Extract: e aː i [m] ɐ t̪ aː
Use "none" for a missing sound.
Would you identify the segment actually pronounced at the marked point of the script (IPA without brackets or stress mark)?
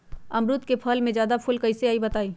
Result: b